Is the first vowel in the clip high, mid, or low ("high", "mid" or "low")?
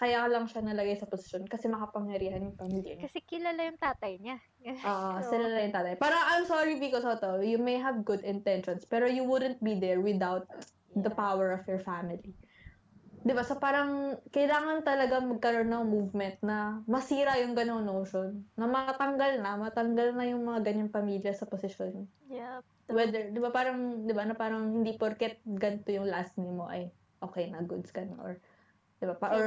low